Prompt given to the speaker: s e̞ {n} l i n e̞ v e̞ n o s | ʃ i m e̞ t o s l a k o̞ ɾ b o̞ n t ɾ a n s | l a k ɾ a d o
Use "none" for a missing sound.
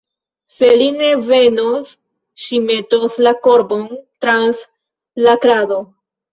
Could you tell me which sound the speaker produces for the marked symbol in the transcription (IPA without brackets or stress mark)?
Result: none